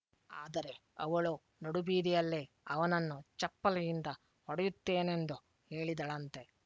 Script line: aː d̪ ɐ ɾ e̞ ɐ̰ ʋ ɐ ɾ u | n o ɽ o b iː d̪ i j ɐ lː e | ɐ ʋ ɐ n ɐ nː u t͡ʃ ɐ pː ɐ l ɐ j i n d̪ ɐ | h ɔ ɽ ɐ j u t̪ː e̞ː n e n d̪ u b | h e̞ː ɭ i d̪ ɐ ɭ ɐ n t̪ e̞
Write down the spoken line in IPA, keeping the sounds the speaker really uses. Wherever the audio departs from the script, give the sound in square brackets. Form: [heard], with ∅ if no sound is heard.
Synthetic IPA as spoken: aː d̪ ɐ ɾ e̞ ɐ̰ ʋ ɐ [ɭ] u | n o ɽ [u] b iː d̪ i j ɐ lː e | ɐ ʋ ɐ n ɐ nː u t͡ʃ ɐ pː ɐ l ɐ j i n d̪ ɐ | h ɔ ɽ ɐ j u t̪ː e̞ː n e n d̪ u [∅] | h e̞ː ɭ i d̪ ɐ ɭ ɐ n t̪ e̞